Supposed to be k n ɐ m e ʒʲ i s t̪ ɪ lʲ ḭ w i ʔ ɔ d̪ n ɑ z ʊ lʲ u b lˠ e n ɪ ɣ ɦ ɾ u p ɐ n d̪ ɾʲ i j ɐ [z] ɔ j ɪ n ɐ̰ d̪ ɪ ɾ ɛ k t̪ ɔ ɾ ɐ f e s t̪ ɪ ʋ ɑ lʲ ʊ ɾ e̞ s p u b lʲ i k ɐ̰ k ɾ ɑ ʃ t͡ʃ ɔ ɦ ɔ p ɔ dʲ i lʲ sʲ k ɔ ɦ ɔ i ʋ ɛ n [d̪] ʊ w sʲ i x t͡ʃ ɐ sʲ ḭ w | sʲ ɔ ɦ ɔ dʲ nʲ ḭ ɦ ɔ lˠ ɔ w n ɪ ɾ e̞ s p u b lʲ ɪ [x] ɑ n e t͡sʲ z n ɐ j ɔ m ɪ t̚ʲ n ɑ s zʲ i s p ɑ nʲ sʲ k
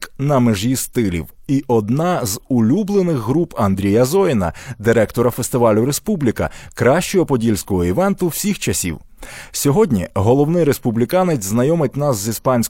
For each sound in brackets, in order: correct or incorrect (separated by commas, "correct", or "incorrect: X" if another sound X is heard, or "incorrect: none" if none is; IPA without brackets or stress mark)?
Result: correct, incorrect: t̪, incorrect: k